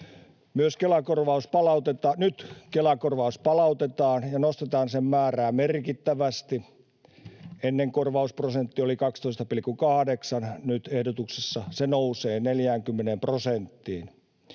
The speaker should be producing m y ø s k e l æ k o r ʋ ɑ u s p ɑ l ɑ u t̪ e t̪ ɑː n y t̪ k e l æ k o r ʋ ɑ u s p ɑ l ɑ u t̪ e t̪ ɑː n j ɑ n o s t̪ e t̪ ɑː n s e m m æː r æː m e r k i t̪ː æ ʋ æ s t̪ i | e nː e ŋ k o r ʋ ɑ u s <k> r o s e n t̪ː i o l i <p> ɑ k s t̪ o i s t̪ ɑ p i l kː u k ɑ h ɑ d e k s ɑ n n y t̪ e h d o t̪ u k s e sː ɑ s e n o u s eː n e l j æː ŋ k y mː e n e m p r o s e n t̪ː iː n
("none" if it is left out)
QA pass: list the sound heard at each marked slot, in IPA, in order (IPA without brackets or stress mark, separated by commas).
p, k